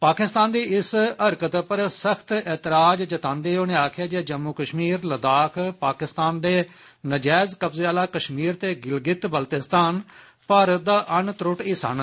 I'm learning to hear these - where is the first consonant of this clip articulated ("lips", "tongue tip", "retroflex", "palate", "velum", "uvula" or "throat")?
lips